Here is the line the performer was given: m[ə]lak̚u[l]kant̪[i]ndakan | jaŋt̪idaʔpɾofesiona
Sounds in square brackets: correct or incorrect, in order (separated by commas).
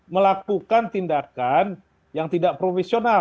correct, incorrect, correct